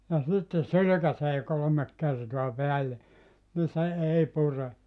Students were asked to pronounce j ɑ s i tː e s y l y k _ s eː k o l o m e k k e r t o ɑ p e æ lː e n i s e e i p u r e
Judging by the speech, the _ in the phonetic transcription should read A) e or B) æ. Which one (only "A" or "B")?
B